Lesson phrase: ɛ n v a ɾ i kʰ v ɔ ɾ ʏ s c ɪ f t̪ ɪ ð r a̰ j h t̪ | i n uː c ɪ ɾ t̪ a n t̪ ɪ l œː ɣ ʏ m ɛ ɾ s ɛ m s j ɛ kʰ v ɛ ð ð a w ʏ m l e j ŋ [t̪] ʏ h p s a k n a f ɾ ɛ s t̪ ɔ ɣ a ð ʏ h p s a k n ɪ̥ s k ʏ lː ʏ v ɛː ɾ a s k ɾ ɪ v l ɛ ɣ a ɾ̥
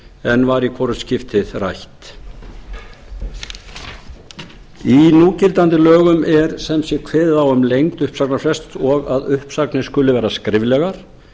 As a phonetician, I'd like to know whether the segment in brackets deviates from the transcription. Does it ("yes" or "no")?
no